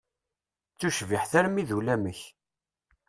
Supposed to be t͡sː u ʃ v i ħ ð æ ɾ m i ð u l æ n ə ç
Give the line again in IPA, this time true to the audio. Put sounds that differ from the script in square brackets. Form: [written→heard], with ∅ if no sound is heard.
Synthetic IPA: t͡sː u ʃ v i ħ [ð→θ] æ ɾ m i ð u l æ [n→m] ə ç